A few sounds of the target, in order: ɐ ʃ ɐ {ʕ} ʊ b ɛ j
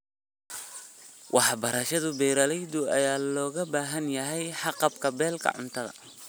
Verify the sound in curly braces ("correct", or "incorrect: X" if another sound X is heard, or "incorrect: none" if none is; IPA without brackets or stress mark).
incorrect: ð